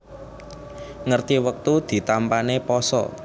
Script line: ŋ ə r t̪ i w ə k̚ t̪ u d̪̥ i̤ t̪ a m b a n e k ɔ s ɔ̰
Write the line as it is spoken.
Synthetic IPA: ŋ ə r t̪ i w ə k̚ t̪ u d̪̥ i̤ t̪ a m p a n e p ɔ s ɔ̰

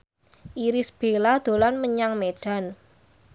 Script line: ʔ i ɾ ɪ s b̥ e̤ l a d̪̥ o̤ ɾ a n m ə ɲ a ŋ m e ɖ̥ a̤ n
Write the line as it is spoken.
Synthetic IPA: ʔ i ɾ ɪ s b̥ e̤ l a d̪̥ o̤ l a n m ə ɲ a ŋ m e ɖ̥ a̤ n

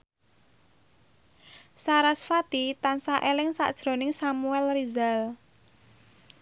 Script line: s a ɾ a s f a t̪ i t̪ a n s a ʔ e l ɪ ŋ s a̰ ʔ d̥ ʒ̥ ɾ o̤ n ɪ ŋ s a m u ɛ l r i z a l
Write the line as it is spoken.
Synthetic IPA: s a ɾ a s f a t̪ i t̪ a n s a ʔ e l ɪ ŋ s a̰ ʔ d̥ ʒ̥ ɾ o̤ n ɪ ŋ s a m u ɛ l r i z a l

